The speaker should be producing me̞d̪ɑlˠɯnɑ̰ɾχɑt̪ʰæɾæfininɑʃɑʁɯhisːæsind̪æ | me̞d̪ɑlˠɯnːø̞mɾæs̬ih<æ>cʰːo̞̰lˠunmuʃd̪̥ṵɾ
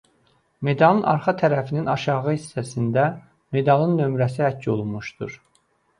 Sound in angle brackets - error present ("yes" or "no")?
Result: no